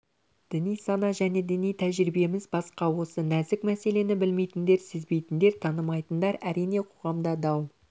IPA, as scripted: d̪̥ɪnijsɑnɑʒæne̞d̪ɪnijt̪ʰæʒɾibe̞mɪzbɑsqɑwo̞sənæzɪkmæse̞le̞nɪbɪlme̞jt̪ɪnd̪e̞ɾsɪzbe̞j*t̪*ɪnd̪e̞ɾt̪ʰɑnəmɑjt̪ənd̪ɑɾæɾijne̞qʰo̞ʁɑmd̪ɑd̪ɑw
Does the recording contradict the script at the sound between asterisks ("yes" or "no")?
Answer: no